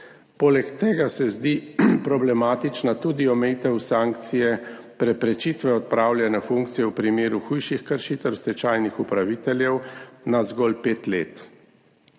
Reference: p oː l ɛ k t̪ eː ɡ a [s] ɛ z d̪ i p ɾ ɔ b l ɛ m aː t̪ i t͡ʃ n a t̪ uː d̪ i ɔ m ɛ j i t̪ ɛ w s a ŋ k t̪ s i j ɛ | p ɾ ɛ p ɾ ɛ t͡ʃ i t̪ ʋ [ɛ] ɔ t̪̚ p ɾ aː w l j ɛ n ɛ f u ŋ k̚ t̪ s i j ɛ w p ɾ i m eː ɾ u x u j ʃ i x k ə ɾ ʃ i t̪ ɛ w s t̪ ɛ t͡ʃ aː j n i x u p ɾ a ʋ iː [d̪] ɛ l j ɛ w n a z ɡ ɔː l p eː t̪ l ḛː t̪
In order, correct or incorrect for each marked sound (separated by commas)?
correct, correct, incorrect